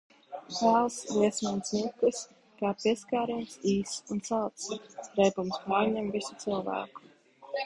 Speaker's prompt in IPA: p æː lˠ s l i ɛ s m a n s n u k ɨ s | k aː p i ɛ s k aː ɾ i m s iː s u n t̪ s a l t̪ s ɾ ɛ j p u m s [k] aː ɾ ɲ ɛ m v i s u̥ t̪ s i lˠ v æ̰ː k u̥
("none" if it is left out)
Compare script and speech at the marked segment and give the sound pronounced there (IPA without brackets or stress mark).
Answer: p